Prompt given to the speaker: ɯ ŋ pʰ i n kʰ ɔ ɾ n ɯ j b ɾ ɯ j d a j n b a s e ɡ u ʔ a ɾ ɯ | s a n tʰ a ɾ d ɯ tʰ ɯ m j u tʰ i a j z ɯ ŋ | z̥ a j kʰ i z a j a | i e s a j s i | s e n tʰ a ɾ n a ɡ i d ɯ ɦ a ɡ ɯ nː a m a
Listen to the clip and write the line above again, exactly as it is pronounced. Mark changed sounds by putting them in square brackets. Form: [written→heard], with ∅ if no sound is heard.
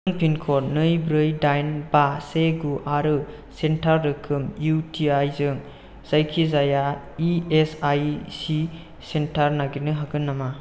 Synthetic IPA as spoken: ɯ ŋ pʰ i n kʰ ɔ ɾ n ɯ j b ɾ ɯ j d a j n b a s e ɡ u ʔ a ɾ ɯ | s [a→e] n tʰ a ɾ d ɯ [tʰ→kʰ] ɯ m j u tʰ i a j z ɯ ŋ | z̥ a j kʰ i z a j a | i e s a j s i | s e n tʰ a ɾ n a ɡ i [d→n] ɯ ɦ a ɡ ɯ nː a m a